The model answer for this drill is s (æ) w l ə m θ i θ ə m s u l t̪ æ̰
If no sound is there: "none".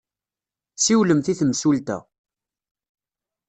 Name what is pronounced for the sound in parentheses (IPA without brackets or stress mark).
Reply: i